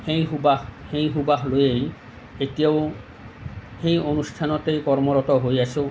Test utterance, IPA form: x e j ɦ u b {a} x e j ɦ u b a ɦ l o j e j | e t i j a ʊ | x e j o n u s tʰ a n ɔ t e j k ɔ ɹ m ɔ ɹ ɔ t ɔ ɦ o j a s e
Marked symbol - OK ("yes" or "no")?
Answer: yes